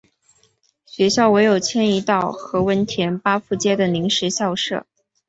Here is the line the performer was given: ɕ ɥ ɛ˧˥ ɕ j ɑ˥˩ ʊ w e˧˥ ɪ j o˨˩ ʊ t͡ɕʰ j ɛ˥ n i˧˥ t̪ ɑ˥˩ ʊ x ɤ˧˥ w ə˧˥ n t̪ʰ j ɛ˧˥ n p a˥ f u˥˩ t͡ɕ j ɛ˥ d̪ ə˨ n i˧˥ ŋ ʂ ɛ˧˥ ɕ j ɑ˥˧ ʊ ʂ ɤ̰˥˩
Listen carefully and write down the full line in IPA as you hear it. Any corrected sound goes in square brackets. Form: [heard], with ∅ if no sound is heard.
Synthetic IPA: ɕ ɥ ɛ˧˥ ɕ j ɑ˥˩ ʊ w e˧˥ ɪ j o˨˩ ʊ t͡ɕʰ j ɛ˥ n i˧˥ t̪ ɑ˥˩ ʊ x ɤ˧˥ w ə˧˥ n t̪ʰ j ɛ˧˥ n p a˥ f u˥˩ t͡ɕ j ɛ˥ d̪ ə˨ n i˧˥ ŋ ʂ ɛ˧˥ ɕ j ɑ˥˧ ʊ ʂ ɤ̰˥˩

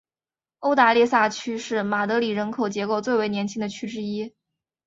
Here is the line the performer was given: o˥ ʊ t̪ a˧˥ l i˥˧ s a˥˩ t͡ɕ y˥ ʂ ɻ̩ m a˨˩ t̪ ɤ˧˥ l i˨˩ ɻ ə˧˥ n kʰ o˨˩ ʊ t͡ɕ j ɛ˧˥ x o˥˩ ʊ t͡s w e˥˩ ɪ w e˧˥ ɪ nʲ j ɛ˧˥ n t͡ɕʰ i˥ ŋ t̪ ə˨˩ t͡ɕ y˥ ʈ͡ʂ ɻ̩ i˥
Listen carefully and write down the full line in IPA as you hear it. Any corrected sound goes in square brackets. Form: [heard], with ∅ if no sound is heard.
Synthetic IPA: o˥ ʊ t̪ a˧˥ l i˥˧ s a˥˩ [t͡ɕʰ] y˥ ʂ ɻ̩ m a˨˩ t̪ ɤ˧˥ l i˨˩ ɻ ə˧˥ n kʰ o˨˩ ʊ t͡ɕ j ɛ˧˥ [k] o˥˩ ʊ t͡s w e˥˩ ɪ w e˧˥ ɪ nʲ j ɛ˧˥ n t͡ɕʰ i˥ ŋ [d̪] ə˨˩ [t͡ɕʰ] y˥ ʈ͡ʂ ɻ̩ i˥

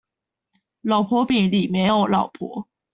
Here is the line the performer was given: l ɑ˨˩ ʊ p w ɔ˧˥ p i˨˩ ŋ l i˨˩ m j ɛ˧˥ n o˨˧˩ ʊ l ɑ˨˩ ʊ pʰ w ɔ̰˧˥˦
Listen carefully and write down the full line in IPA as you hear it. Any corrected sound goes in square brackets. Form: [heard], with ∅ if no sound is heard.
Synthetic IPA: l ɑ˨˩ ʊ [pʰ] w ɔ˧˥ p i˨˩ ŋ l i˨˩ m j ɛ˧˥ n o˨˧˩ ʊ l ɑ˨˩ ʊ pʰ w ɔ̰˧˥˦

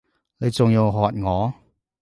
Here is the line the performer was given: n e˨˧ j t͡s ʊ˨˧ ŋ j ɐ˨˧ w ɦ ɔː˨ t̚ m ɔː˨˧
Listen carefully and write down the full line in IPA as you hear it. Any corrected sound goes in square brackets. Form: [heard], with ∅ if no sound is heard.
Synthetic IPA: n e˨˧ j t͡s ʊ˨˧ ŋ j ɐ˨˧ w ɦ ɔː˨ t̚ [ŋ] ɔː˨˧

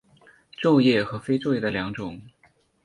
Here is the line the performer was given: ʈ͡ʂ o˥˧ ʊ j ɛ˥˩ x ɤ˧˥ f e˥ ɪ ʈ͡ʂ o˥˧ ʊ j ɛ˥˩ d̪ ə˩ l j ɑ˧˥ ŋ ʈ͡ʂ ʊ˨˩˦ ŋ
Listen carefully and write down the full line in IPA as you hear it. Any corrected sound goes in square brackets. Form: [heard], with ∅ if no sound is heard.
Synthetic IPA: ʈ͡ʂ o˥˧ ʊ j ɛ˥˩ x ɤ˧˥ f e˥ ɪ ʈ͡ʂ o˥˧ ʊ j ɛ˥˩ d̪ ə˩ l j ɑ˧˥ ŋ ʈ͡ʂ ʊ˨˩˦ ŋ

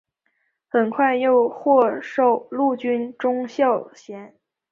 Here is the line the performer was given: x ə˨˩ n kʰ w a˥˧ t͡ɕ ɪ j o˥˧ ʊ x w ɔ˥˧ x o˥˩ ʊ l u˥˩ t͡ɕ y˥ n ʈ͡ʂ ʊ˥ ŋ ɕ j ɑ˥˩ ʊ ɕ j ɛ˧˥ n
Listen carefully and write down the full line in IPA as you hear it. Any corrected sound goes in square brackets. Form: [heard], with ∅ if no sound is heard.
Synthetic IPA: x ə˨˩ n kʰ w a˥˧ [∅] ɪ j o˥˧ ʊ x w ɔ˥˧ [ʂ] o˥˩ ʊ l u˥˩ t͡ɕ y˥ n ʈ͡ʂ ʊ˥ ŋ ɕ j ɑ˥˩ ʊ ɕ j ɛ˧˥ n

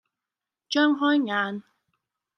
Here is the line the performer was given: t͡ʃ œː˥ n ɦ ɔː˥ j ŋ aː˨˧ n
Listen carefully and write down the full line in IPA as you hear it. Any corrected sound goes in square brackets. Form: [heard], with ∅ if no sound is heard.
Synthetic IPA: t͡ʃ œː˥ [ŋ] ɦ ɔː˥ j ŋ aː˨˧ n

